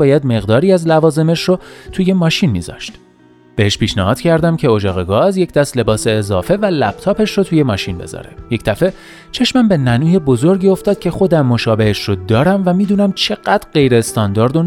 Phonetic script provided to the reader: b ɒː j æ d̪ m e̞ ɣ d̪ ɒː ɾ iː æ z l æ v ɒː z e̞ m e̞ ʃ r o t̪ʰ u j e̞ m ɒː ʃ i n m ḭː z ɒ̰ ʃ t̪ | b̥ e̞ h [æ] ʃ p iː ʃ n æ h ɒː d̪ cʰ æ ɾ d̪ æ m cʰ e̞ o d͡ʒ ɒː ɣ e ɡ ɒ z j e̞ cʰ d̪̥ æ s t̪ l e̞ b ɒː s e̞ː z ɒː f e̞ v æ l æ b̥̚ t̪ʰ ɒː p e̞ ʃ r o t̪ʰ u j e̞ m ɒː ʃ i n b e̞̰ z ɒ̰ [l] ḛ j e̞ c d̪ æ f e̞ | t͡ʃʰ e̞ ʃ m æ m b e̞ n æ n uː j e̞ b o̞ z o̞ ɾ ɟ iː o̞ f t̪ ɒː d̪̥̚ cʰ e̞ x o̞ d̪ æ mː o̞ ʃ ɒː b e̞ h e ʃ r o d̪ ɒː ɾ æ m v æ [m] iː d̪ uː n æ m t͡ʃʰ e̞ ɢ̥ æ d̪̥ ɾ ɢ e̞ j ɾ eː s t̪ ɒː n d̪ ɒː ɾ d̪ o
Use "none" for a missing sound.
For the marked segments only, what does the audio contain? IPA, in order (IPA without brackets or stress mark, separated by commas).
e, ɾ, m